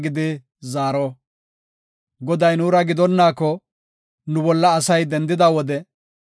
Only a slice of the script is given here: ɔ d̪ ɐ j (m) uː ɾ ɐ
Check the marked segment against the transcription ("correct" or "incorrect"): incorrect